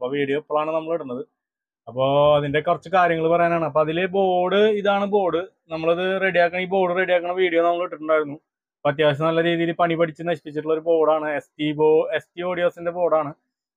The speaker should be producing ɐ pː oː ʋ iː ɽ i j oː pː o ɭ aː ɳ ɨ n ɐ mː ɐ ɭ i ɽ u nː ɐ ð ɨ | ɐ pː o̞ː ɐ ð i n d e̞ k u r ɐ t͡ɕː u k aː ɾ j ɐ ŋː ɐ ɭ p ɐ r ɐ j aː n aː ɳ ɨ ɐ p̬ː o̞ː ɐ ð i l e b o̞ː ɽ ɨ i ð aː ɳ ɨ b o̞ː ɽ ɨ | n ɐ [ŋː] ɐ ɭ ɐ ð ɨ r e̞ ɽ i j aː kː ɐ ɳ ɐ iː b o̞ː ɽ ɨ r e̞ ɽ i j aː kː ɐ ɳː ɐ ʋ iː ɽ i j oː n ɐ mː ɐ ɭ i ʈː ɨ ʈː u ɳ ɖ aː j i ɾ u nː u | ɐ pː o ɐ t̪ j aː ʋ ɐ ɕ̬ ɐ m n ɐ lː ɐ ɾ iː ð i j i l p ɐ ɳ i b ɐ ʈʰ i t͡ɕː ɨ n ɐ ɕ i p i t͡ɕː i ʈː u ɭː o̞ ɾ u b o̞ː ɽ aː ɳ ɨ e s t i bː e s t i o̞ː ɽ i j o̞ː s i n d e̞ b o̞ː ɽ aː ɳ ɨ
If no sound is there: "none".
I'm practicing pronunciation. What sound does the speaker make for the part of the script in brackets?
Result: mː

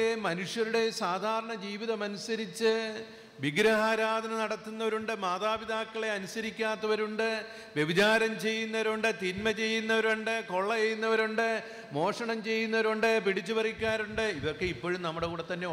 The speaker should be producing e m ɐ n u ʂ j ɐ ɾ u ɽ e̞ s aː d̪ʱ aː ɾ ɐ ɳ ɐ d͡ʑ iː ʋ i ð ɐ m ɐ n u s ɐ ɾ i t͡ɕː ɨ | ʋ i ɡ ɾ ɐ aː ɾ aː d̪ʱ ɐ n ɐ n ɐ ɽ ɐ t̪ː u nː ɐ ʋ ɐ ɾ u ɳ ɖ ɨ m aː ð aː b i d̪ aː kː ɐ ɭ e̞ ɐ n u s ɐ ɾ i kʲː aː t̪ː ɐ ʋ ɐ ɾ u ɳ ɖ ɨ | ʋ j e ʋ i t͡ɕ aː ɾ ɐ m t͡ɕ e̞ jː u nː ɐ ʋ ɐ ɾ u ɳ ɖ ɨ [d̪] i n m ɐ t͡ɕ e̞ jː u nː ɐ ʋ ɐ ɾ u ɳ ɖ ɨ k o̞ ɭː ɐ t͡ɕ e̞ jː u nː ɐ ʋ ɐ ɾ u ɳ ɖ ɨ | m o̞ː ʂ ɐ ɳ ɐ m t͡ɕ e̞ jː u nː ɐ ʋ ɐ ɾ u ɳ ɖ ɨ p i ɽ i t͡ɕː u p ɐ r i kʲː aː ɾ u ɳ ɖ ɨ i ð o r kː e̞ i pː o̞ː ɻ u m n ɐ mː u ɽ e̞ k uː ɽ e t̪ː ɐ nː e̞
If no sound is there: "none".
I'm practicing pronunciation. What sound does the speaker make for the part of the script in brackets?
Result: t̪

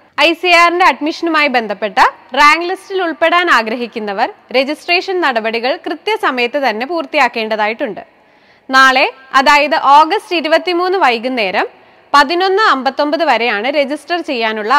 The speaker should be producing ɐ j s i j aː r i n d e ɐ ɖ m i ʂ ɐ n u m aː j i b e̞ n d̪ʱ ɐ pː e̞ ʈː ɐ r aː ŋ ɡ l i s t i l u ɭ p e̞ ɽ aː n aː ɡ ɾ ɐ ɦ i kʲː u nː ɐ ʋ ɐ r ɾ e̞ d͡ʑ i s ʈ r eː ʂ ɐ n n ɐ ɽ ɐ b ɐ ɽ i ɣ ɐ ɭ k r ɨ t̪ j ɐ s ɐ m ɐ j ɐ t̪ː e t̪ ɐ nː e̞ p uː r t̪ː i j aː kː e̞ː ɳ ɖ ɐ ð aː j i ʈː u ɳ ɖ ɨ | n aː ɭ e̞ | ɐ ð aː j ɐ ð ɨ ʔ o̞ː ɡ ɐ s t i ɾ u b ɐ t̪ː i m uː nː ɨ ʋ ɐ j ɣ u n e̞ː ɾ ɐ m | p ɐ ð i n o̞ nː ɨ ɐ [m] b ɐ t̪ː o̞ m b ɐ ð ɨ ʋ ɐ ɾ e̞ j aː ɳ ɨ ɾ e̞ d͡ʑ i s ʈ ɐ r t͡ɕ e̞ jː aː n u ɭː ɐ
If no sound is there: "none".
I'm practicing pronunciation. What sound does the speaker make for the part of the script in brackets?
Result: m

